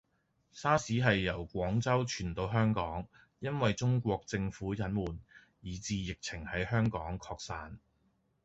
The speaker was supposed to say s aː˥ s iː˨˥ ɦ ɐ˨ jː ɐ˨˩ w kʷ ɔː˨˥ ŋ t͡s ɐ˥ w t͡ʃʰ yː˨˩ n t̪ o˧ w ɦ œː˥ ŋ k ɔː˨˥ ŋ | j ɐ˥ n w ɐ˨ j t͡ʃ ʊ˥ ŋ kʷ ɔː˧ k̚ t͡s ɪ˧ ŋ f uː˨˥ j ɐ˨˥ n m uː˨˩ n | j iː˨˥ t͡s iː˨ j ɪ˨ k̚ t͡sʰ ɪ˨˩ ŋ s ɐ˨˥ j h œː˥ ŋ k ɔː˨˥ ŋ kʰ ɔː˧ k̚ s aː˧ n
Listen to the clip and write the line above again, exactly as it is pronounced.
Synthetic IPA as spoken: s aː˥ s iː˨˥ ɦ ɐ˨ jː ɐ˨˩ w kʷ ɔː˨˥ ŋ t͡s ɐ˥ w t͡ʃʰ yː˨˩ n t̪ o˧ w ɦ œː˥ ŋ k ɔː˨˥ ŋ | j ɐ˥ n w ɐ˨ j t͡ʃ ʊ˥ ŋ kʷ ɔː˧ k̚ t͡s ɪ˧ ŋ f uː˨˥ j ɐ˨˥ n m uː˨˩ n | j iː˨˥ t͡s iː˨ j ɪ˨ k̚ t͡sʰ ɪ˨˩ ŋ h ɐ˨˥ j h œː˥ ŋ k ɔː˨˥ ŋ kʰ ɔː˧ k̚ s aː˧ n